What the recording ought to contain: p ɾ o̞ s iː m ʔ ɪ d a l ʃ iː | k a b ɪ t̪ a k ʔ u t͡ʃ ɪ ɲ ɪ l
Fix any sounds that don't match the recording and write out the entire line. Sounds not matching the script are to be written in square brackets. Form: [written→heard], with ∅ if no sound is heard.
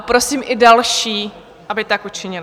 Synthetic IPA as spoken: p ɾ o̞ s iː m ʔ ɪ d a l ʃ iː | [k→ʔ] a b ɪ t̪ a k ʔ u t͡ʃ ɪ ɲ ɪ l